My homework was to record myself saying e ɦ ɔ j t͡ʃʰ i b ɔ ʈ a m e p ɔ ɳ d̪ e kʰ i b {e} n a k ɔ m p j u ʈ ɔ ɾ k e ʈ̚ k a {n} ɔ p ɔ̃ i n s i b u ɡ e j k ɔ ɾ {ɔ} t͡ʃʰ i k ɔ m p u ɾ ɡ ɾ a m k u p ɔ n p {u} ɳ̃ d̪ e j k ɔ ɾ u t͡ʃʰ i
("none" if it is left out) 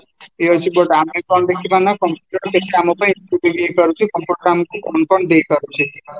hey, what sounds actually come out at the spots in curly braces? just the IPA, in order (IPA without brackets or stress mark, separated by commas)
a, m, u, ɔ